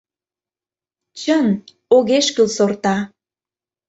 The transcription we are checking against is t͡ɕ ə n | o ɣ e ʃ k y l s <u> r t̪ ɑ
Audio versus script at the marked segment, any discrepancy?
yes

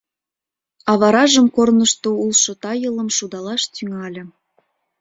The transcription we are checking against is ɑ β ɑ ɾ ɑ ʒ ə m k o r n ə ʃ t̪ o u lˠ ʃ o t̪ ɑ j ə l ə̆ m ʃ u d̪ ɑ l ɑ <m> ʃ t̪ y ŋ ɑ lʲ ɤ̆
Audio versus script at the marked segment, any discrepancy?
yes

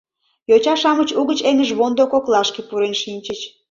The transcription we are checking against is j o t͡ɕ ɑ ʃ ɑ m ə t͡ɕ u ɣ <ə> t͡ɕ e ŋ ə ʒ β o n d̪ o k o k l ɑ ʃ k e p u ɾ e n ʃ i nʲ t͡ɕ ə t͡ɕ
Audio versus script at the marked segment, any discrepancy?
no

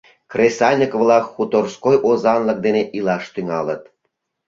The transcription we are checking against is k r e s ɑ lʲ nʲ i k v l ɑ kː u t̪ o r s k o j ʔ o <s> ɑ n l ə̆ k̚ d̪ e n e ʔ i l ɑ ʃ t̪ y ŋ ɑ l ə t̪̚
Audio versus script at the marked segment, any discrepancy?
yes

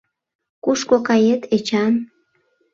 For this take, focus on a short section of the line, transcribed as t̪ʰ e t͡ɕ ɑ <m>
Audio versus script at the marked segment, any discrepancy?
yes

